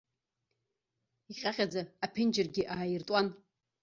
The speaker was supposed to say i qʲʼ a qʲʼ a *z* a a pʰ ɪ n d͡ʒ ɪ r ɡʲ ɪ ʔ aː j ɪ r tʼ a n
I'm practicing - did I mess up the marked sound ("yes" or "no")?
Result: yes